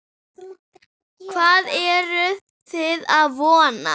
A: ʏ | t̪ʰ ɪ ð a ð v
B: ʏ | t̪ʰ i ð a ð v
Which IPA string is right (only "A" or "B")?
A